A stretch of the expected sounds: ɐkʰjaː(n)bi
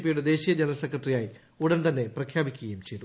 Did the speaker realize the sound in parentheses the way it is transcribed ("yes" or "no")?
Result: no